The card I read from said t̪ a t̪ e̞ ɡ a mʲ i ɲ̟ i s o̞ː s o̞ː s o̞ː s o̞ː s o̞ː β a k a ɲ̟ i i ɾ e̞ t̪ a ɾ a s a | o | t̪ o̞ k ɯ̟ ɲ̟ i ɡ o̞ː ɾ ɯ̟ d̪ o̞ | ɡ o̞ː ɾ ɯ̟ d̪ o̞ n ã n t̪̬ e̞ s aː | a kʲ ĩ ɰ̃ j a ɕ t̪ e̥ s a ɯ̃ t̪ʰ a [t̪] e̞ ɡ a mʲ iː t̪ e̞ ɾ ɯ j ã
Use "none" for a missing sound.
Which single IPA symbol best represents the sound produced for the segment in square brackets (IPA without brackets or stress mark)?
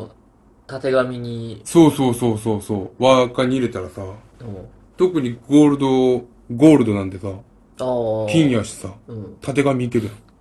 t̪